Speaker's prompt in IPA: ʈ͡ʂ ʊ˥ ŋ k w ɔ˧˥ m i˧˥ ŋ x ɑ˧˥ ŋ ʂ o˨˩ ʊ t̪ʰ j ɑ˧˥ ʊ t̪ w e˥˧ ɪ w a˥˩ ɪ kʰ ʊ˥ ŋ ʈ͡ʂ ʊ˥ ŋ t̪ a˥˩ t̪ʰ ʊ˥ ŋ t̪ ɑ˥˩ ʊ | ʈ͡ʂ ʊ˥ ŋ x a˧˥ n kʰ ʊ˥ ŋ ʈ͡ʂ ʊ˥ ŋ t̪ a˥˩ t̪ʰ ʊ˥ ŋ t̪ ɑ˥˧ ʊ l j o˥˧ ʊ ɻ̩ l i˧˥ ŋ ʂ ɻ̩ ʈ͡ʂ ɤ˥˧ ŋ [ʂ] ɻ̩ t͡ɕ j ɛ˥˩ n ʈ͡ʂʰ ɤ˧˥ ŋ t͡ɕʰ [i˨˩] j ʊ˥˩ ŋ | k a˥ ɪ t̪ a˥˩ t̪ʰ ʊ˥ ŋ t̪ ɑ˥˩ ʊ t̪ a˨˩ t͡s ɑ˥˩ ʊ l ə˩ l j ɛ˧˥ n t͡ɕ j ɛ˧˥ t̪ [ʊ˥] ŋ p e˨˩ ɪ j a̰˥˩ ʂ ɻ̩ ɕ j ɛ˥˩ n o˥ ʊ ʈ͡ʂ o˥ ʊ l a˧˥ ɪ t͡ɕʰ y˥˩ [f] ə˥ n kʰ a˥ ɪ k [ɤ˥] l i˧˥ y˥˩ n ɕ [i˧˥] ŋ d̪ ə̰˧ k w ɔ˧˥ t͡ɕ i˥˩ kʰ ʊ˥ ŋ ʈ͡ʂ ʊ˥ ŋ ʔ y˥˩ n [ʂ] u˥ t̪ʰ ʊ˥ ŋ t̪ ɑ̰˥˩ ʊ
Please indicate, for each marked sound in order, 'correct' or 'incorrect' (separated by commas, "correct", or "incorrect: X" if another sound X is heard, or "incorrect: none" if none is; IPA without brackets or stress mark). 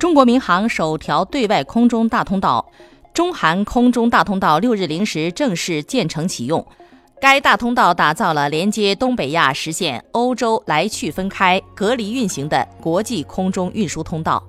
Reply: correct, correct, correct, correct, incorrect: ɤ˧˥, correct, correct